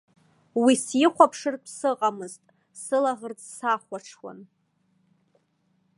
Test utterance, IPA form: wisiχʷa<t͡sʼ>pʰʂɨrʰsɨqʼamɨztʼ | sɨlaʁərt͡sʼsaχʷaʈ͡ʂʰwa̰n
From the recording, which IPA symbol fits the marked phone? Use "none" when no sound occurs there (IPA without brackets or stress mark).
none